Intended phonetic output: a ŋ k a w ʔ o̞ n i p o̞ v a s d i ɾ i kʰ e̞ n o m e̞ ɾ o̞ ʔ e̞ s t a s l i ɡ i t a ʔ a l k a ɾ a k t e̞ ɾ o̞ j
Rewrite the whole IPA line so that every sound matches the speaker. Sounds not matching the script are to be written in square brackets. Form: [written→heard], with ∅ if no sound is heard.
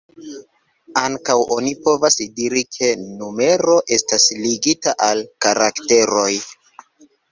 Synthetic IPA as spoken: a ŋ k a w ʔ o̞ n i p o̞ v a s d i ɾ i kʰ e̞ n [o→u] m e̞ ɾ o̞ ʔ e̞ s t a s l i ɡ i t a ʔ a l k a ɾ a k t e̞ ɾ o̞ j